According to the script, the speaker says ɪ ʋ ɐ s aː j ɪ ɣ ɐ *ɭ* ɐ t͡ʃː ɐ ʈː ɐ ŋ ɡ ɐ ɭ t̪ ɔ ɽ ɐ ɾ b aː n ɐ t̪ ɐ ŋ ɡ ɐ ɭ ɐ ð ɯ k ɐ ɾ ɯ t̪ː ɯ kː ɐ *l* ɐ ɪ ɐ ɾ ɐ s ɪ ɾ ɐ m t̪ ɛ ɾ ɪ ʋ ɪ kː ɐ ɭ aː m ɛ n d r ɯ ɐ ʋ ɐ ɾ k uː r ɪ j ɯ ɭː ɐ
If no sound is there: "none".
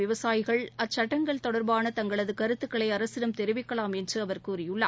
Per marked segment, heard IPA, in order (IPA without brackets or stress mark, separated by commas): ɭ, ɭ